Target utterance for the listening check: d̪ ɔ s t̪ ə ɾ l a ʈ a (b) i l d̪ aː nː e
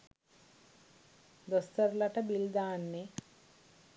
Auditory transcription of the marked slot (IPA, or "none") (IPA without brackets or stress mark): b